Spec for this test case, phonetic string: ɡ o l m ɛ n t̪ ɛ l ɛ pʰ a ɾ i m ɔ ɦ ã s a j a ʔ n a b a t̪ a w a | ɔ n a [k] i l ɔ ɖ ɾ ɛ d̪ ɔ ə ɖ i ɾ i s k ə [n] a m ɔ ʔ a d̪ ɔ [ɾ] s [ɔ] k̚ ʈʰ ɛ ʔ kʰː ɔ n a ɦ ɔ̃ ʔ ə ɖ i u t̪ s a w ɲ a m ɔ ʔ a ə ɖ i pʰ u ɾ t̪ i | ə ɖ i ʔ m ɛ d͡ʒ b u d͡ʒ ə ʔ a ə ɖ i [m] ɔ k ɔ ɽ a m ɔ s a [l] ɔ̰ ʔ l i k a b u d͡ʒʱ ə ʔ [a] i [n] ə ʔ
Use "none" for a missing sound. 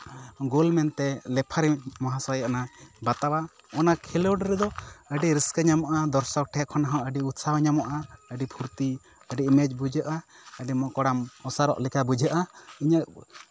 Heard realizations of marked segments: kʰ, ɲ, ɾ, ɔ, m, ɾ, a, ɲ

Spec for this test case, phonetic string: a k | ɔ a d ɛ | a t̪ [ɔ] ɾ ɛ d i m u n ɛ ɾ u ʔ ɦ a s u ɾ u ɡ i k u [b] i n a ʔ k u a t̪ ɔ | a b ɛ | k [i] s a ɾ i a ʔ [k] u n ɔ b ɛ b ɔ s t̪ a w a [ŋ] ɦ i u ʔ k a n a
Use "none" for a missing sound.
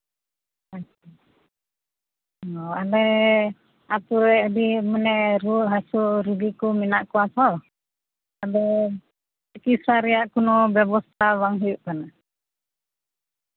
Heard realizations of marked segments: u, m, i, k, ŋ

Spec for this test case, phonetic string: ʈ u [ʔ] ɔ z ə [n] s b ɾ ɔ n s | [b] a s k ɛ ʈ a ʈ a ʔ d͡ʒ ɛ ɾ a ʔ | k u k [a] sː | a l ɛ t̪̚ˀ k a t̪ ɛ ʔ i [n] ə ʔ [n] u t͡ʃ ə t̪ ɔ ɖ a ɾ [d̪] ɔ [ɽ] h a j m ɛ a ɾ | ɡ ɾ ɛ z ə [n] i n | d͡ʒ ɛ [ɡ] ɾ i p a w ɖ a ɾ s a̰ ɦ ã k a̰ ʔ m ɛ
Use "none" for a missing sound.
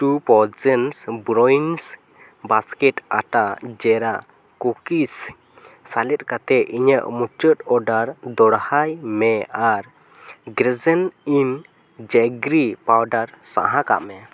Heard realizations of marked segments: p, n, b, i, ɲ, m, d̪, ɽ, n, ɡ

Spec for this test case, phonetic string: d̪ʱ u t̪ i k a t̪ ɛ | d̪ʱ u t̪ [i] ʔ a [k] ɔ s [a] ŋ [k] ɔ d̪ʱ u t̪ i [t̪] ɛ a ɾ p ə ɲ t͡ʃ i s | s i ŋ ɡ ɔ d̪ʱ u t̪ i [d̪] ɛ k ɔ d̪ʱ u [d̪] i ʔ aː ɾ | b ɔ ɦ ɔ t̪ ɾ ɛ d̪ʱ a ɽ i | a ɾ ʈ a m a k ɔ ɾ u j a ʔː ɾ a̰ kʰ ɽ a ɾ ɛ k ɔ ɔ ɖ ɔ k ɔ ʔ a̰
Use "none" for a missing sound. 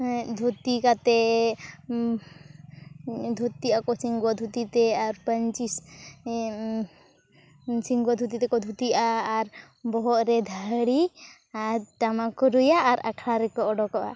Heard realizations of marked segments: i, k, i, ɡ, t̪, t̪, t̪

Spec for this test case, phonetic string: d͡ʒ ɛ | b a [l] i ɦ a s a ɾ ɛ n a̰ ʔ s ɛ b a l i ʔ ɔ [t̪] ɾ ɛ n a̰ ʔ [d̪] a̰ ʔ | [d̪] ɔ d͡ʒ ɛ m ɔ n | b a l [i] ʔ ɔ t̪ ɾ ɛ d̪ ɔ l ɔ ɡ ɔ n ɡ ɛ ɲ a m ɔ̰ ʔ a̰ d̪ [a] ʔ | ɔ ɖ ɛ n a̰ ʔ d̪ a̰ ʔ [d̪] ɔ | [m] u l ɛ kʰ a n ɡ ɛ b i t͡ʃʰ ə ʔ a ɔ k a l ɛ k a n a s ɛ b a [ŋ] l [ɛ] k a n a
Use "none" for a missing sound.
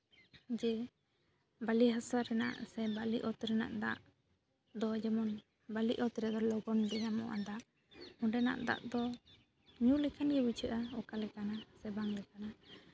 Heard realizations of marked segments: l, t̪, d̪, d̪, i, a, d̪, ɲ, ŋ, ɛ

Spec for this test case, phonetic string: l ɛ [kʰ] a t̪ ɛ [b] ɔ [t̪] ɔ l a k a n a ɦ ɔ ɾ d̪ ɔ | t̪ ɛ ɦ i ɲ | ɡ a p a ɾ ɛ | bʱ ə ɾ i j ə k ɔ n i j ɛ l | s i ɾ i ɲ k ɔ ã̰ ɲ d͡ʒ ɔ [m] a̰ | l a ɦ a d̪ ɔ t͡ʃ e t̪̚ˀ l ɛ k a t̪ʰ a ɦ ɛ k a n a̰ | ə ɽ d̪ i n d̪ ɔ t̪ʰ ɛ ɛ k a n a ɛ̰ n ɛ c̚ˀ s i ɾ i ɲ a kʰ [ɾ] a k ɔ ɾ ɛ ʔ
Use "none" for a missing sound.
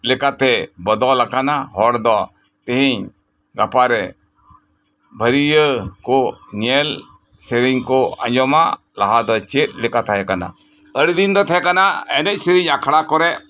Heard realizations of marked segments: k, b, d̪, m, ɽ

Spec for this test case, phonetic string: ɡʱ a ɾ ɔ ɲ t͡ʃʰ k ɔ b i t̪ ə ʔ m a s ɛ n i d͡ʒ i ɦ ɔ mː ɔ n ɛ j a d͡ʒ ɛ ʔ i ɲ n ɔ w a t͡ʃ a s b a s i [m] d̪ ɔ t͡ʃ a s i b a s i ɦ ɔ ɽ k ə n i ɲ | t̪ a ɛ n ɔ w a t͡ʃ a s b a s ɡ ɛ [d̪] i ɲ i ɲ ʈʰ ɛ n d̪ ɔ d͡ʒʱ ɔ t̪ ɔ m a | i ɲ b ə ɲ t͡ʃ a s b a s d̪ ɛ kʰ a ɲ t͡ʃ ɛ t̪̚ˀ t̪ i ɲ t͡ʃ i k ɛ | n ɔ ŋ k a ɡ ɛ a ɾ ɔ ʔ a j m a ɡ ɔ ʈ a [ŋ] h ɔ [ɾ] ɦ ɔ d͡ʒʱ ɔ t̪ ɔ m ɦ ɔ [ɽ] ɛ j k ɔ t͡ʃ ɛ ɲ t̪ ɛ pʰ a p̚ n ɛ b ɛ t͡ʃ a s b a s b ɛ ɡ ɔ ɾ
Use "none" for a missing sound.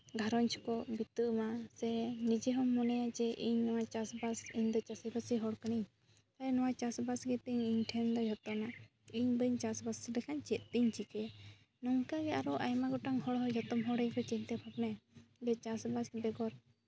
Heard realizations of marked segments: ɲ, t̪, ŋ, ɽ, ɽ

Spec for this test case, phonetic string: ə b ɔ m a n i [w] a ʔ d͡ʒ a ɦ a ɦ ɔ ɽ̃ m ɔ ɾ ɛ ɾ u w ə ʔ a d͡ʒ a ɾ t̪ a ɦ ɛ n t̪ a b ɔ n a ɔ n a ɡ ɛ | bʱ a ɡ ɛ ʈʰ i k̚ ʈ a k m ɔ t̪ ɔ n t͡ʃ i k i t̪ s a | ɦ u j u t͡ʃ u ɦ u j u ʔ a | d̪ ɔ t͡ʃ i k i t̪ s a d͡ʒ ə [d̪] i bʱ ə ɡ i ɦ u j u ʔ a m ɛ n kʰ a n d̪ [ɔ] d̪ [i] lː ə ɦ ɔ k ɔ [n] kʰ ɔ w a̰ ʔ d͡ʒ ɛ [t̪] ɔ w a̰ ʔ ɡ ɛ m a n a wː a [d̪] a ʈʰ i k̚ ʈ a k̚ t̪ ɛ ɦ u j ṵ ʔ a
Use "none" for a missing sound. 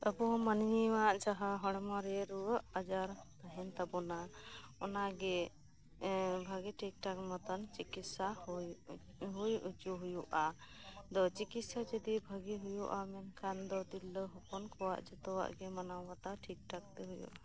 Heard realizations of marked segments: w, d̪, ɔ, i, n, t̪, t̪

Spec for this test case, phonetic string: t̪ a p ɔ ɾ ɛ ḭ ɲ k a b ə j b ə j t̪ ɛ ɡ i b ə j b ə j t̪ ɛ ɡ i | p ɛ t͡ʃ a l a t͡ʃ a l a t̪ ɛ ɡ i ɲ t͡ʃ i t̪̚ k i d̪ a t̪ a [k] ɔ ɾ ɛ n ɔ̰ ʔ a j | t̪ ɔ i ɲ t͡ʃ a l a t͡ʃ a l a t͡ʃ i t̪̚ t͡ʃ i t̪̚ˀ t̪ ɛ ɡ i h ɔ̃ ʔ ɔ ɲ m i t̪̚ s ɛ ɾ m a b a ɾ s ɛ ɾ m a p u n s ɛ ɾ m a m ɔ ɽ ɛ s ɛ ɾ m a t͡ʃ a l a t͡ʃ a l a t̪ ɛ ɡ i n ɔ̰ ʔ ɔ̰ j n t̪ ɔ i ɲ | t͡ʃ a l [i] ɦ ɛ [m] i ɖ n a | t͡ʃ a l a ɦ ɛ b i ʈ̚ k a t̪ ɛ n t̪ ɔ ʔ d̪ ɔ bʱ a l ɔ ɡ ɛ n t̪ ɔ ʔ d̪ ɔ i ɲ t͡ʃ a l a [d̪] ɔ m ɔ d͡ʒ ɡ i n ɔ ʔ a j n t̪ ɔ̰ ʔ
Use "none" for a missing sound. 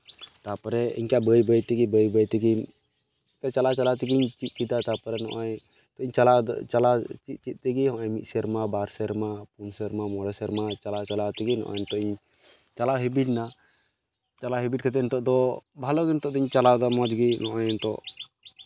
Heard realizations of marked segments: p, a, b, d̪

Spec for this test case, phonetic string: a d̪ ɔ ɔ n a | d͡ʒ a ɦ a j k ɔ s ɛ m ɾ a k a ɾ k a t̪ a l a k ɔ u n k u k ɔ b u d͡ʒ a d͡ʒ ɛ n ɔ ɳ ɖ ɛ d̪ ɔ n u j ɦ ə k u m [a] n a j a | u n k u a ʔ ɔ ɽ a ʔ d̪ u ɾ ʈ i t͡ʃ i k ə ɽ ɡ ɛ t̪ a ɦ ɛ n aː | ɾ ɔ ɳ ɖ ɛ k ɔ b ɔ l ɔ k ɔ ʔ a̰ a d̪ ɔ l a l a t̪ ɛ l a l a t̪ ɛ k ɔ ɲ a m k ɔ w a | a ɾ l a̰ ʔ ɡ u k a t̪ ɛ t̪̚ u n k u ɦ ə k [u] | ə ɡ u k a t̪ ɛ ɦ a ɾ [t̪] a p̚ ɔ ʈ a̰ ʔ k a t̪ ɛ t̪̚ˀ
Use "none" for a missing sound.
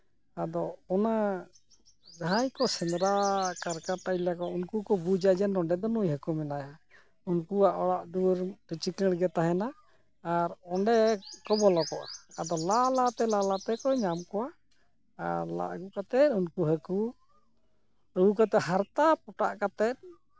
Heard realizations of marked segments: ɛ, u, t̪

